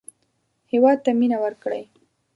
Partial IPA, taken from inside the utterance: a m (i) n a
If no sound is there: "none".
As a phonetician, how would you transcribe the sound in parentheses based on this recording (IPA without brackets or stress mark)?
i